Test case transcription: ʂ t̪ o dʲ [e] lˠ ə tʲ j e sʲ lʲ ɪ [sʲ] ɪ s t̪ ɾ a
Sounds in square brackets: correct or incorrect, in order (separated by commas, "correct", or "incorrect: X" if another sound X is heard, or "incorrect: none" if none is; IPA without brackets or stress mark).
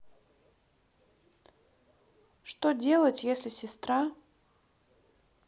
correct, correct